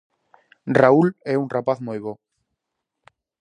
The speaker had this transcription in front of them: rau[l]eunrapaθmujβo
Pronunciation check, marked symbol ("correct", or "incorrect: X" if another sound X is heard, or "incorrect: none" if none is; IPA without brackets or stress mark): correct